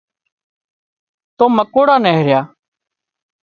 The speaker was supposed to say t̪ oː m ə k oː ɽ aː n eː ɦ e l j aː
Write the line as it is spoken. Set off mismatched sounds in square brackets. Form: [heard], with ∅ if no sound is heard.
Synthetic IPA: t̪ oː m ə k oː ɽ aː n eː ɦ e [ɾ] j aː